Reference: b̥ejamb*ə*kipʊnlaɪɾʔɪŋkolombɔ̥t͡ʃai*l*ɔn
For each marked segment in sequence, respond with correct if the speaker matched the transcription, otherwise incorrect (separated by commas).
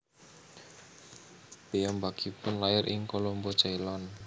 incorrect, correct